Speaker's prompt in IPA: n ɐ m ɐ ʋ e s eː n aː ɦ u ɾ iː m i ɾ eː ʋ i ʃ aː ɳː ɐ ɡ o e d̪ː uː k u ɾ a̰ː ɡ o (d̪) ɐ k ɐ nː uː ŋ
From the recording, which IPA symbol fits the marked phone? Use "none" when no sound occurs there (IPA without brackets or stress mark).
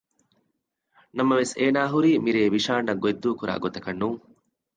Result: t̪